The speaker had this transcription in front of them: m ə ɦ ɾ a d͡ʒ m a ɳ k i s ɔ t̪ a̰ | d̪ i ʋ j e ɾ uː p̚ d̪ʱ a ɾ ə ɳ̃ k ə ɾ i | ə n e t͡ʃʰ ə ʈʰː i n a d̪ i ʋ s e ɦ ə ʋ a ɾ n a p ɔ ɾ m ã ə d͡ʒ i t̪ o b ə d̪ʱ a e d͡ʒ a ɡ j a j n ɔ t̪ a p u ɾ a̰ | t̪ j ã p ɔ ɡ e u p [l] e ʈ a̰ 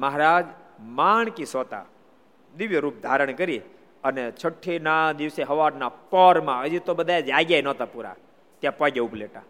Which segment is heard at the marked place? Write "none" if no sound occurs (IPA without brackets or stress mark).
l